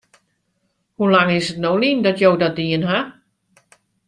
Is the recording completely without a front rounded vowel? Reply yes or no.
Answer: yes